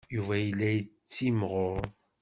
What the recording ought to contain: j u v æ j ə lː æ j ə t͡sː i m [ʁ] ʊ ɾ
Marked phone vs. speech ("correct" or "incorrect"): correct